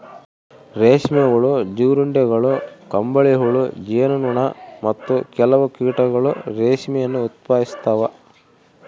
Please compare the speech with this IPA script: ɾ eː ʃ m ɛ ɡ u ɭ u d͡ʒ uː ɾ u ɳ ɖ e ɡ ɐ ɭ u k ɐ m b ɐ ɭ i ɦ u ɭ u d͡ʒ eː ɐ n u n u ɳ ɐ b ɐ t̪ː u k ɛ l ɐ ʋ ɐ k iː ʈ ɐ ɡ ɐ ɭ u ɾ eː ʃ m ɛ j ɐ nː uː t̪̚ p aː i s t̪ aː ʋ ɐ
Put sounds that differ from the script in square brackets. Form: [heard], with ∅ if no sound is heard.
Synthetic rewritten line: ɾ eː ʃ m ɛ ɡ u ɭ u d͡ʒ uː ɾ u ɳ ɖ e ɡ ɐ ɭ u k ɐ m b ɐ ɭ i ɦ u ɭ u d͡ʒ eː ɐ n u n u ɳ ɐ [m] ɐ t̪ː u k ɛ l ɐ ʋ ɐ k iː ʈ ɐ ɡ ɐ ɭ u ɾ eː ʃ m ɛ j ɐ nː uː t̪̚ p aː i s t̪ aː ʋ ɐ

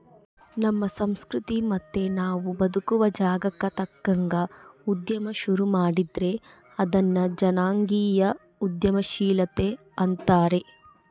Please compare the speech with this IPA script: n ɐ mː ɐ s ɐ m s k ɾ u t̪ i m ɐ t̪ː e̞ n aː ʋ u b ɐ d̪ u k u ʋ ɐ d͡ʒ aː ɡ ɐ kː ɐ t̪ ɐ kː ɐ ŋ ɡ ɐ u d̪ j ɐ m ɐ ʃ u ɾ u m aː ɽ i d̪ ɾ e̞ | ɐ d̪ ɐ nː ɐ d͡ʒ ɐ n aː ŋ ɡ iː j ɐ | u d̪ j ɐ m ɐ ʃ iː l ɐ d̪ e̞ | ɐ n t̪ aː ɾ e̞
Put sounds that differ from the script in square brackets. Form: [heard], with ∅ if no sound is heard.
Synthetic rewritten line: n ɐ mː ɐ s ɐ m s k ɾ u t̪ i m ɐ t̪ː e̞ n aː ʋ u b ɐ d̪ u k u ʋ ɐ d͡ʒ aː ɡ ɐ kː ɐ t̪ ɐ kː ɐ ŋ ɡ ɐ u d̪ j ɐ m ɐ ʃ u ɾ u m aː ɽ i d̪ ɾ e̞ | ɐ d̪ ɐ nː ɐ d͡ʒ ɐ n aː ŋ ɡ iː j ɐ | u d̪ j ɐ m ɐ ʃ iː l ɐ [t̪] e̞ | ɐ n t̪ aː ɾ e̞

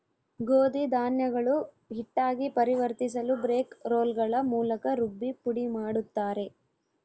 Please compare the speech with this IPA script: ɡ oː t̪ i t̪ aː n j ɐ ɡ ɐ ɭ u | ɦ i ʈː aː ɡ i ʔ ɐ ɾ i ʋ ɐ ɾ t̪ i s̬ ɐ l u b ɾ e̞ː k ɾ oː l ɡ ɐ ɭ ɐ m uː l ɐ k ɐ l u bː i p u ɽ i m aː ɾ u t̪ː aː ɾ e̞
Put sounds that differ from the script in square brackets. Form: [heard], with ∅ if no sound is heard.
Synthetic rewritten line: ɡ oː [d̪] i [d̪] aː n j ɐ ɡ ɐ ɭ u | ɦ i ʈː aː ɡ i [p] ɐ ɾ i ʋ ɐ ɾ t̪ i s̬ ɐ l u b ɾ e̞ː k ɾ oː l ɡ ɐ ɭ ɐ m uː l ɐ k ɐ [ɾ] u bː i p u ɽ i m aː [ɽ] u t̪ː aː ɾ e̞

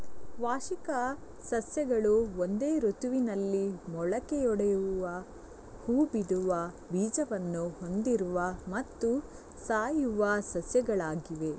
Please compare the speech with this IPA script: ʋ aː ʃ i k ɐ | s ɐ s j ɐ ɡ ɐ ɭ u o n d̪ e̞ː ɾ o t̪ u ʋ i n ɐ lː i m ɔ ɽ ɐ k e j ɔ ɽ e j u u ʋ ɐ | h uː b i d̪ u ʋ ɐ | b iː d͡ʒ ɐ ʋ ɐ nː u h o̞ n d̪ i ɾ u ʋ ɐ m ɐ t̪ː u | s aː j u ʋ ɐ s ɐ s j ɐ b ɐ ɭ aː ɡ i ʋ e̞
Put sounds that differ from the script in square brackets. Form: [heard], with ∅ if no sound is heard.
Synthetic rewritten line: ʋ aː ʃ i k ɐ | s ɐ s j ɐ ɡ ɐ ɭ u o n d̪ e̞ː ɾ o t̪ u ʋ i n ɐ lː i m ɔ [ɭ] ɐ k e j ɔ ɽ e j u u ʋ ɐ | h uː b i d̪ u ʋ ɐ | b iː d͡ʒ ɐ ʋ ɐ nː u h o̞ n d̪ i ɾ u ʋ ɐ m ɐ t̪ː u | s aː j u ʋ ɐ s ɐ s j ɐ [ɡ] ɐ ɭ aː ɡ i ʋ e̞

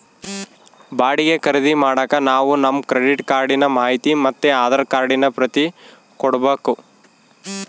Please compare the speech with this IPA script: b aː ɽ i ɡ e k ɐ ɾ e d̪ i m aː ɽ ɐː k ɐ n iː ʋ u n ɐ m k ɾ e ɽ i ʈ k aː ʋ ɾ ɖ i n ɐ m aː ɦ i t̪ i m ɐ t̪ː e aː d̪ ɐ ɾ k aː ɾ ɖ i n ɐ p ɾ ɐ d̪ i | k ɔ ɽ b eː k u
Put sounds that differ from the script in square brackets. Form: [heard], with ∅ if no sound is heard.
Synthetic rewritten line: b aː ɽ i ɡ e k ɐ ɾ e d̪ i m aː ɽ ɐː k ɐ n [aː] ʋ u n ɐ m k ɾ e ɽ i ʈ k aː [∅] ɾ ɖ i n ɐ m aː ɦ i t̪ i m ɐ t̪ː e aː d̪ ɐ ɾ k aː ɾ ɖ i n ɐ p ɾ ɐ [t̪] i | k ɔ ɽ b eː k u

